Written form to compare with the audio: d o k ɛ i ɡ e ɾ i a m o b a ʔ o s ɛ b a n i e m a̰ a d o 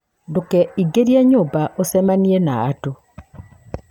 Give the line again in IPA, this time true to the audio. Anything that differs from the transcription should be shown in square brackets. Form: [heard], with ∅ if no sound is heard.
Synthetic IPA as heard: d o k ɛ i ɡ e ɾ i a [ɲ] o b a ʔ o s ɛ [m] a n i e [n] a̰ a [t] o